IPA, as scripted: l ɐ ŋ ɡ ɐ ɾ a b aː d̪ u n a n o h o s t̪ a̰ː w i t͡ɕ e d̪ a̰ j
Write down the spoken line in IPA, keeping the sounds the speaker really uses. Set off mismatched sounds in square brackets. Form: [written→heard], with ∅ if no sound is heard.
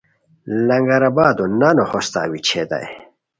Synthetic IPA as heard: l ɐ ŋ ɡ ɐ ɾ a b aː d̪ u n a n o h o s t̪ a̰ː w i [t͡ɕ→t͡ɕʰ] e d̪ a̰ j